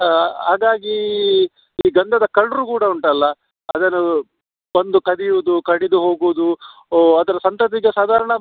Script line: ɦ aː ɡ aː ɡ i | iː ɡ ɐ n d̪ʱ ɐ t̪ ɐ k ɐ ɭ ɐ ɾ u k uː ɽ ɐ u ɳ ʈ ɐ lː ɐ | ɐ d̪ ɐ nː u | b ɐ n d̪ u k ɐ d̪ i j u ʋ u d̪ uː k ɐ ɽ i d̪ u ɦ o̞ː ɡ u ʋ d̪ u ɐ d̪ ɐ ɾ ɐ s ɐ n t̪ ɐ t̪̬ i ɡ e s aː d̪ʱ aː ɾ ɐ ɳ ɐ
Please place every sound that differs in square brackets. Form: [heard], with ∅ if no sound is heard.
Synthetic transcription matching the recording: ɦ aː ɡ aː ɡ i | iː ɡ ɐ n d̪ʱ ɐ [d̪] ɐ k ɐ ɭ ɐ ɾ u k uː ɽ ɐ u ɳ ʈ ɐ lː ɐ | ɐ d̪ ɐ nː u | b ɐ n d̪ u k ɐ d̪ i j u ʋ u d̪ [u] k ɐ ɽ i d̪ u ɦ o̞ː ɡ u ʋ d̪ u ɐ d̪ ɐ ɾ ɐ s ɐ n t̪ ɐ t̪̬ i ɡ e s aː d̪ʱ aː ɾ ɐ ɳ ɐ